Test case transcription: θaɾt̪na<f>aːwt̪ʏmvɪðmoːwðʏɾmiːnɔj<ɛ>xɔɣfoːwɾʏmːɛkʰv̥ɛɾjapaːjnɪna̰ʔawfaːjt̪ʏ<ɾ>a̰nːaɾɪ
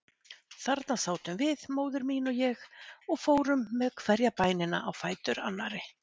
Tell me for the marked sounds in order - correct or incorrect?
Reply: incorrect: s, correct, correct

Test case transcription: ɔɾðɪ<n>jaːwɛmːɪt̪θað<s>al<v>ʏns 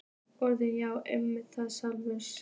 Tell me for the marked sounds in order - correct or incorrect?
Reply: correct, correct, correct

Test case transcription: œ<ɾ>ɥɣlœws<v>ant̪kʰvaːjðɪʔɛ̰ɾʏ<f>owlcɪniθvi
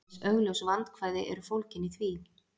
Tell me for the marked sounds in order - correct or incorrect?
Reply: incorrect: none, correct, correct

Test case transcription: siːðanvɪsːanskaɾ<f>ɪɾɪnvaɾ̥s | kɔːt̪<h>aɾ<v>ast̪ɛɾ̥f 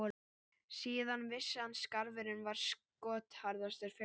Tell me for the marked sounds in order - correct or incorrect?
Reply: incorrect: v, correct, incorrect: ð

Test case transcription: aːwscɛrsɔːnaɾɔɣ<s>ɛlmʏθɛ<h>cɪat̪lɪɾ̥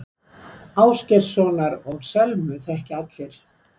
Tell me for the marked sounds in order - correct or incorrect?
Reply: correct, correct

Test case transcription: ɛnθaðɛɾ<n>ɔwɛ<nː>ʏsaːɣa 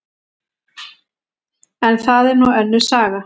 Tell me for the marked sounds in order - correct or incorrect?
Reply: correct, correct

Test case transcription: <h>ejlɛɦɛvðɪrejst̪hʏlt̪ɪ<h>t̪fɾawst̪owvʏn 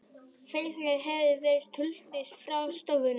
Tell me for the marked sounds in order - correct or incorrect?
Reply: incorrect: f, incorrect: s

